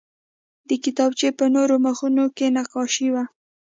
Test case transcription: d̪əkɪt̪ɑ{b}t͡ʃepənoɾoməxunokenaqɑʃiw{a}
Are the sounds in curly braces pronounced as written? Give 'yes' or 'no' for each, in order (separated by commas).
yes, yes